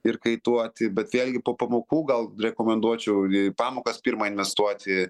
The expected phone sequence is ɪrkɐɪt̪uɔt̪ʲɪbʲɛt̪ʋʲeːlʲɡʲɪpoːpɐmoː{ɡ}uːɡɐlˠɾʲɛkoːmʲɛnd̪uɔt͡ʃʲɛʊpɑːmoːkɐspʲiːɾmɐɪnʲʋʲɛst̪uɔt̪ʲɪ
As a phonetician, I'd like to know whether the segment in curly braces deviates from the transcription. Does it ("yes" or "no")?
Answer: yes